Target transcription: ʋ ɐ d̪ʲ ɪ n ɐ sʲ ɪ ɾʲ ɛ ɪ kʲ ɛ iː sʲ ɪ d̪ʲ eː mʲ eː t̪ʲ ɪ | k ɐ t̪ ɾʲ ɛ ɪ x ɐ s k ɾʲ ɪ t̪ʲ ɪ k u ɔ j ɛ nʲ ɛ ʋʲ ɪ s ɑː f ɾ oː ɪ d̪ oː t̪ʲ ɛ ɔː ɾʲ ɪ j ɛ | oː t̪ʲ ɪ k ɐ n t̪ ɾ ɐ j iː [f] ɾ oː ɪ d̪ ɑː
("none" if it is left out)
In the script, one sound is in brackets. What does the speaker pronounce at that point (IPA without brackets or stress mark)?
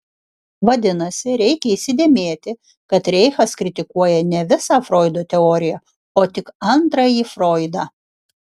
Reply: f